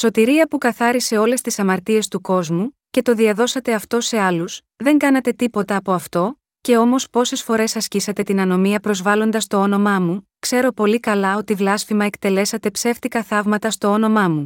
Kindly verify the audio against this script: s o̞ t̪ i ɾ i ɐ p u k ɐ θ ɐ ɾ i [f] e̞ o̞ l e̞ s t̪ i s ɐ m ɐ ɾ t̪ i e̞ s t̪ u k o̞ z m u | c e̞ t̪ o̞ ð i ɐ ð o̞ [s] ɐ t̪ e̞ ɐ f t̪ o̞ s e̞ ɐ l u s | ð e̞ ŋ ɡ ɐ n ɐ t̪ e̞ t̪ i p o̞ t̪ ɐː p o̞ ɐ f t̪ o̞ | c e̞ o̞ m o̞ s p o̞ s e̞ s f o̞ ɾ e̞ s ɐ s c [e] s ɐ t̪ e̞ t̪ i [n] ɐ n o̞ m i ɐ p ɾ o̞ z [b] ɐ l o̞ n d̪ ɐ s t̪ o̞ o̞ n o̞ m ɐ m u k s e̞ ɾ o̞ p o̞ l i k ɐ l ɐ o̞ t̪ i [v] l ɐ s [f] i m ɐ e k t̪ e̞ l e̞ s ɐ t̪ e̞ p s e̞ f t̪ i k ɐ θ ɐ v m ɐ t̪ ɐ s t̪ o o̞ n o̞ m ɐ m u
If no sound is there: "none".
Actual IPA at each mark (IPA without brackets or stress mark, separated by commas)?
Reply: s, s, i, n, v, v, f